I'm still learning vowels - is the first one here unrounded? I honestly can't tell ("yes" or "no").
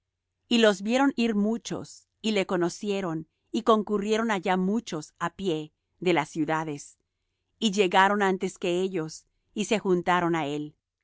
yes